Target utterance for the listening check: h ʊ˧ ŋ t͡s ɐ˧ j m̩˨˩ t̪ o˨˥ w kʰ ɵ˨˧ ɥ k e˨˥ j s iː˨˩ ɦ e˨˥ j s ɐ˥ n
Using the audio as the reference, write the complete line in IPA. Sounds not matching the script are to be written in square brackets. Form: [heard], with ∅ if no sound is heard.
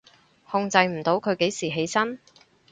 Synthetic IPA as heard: h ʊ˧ ŋ t͡s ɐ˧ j m̩˨˩ t̪ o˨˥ w kʰ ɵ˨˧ ɥ k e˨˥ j s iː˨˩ ɦ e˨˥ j s ɐ˥ n